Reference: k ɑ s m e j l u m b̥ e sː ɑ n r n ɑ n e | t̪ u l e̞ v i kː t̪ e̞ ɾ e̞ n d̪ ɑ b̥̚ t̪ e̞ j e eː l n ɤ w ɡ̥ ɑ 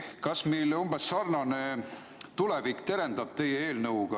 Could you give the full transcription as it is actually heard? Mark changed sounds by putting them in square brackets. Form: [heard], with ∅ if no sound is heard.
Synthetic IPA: k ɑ s m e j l u m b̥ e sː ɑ [∅] r n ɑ n e | t̪ u l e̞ v i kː t̪ e̞ ɾ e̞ n d̪ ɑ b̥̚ t̪ e̞ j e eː l n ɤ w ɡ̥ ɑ

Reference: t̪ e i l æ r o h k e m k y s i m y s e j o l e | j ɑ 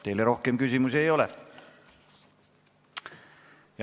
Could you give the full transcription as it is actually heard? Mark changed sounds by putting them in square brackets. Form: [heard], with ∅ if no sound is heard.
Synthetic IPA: t̪ e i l [e] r o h k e m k y s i m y s e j o l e | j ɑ

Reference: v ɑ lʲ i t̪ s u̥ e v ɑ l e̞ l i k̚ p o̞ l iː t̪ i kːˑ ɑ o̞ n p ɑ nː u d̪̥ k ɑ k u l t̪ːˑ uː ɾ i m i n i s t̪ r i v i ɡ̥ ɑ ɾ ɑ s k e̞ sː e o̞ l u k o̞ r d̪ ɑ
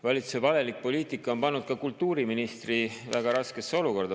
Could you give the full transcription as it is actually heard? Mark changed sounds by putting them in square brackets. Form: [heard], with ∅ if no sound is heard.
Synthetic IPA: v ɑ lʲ i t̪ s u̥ e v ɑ l e̞ l i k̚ p o̞ l iː t̪ i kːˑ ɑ o̞ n p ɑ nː u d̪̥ k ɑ k u l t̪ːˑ uː ɾ i m i n i s t̪ r i v [æ] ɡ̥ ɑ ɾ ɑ s k e̞ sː e o̞ l u k o̞ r d̪ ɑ

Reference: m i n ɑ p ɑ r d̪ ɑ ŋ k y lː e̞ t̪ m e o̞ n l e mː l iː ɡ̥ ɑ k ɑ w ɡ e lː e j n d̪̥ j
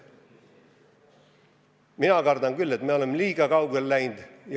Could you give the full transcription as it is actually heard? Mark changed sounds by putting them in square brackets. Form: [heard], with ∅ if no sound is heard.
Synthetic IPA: m i n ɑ [k] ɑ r d̪ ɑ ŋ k y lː e̞ t̪ m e o̞ [∅] l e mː l iː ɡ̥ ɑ k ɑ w ɡ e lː [æ] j n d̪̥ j

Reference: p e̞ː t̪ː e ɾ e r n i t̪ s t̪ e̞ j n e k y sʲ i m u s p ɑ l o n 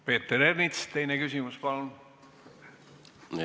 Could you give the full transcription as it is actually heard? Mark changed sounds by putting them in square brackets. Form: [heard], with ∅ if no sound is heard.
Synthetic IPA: p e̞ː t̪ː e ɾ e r n i t̪ s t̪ e̞ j n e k y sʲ i m u s p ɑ l [u] n

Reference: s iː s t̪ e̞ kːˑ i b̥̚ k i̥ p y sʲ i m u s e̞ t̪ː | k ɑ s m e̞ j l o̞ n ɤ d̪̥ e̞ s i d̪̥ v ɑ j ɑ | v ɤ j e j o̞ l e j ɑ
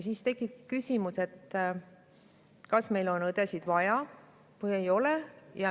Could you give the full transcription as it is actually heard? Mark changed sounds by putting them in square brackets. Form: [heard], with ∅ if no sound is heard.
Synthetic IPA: s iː s t̪ e̞ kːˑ i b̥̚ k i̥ [k] y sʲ i m u s e̞ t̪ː | k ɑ s m e̞ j l o̞ n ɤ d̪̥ e̞ s i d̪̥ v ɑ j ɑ | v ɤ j e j o̞ l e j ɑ

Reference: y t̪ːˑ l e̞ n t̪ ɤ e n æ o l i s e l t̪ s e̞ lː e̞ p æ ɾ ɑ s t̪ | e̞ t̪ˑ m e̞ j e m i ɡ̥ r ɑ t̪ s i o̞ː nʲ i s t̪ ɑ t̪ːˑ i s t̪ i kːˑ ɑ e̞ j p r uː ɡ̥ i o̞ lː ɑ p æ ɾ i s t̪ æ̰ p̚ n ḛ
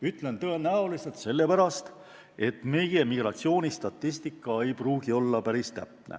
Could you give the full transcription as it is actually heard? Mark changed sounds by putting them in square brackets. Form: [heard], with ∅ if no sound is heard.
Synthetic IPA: y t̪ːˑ l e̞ n t̪ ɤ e n æ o l i s e l t̪ s e̞ lː e̞ p æ ɾ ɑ s t̪ | e̞ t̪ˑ m e̞ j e m i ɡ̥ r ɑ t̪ s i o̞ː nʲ i s t̪ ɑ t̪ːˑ i s t̪ i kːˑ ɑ e̞ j p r uː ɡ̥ i o̞ lː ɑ p æ ɾ i s t̪ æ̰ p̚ n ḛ

